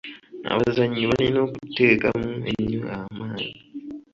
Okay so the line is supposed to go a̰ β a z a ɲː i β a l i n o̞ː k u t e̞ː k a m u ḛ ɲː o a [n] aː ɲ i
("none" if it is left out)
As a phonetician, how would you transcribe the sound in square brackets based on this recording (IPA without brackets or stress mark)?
m